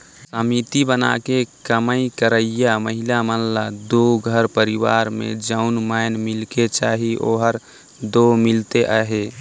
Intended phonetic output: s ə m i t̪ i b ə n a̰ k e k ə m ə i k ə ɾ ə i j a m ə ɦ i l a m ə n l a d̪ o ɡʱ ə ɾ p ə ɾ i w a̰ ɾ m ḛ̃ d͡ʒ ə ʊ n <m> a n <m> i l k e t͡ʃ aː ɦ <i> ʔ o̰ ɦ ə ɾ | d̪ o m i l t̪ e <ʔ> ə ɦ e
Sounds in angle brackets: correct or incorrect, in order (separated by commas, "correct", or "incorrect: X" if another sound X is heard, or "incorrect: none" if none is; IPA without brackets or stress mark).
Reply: correct, correct, correct, correct